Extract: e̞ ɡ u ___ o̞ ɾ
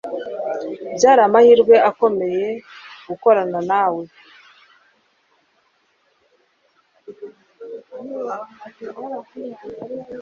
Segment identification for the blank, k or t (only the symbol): k